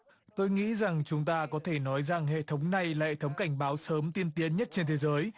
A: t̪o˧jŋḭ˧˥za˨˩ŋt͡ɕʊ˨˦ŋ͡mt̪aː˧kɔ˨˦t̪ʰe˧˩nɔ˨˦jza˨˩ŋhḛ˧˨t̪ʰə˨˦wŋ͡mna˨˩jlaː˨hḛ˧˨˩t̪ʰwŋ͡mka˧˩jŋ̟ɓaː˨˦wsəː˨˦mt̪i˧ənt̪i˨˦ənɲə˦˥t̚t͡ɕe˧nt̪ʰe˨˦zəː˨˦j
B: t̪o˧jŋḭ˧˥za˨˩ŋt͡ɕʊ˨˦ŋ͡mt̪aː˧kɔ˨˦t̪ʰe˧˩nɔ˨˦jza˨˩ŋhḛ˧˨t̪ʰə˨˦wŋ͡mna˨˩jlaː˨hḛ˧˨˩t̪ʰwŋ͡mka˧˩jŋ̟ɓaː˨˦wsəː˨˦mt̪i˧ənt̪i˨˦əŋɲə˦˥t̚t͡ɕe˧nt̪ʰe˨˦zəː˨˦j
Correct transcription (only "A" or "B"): A